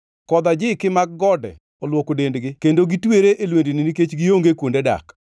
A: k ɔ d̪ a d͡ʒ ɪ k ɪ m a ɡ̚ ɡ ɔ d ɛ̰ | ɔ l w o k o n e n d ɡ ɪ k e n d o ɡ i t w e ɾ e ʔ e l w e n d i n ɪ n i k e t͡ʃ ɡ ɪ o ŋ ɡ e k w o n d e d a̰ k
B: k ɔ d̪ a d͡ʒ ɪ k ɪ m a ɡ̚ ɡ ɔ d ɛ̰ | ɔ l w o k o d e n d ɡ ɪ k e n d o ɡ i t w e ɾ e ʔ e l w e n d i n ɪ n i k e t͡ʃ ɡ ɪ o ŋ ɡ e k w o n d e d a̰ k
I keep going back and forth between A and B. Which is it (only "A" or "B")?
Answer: B